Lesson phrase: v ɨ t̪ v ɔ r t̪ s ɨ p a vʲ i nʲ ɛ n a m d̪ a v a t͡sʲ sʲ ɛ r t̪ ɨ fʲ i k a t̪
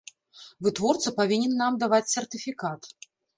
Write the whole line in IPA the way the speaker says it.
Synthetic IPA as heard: v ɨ t̪ v ɔ r t̪ s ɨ p a vʲ i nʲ ɛ nː a m d̪ a v a t͡sʲ sʲ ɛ r t̪ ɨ fʲ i k a t̪